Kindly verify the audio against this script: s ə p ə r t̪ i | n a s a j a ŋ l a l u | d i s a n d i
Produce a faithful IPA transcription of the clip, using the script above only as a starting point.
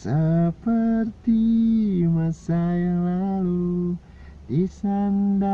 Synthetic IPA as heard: s ə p ə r t̪ i | m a s a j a ŋ l a l u | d i s a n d a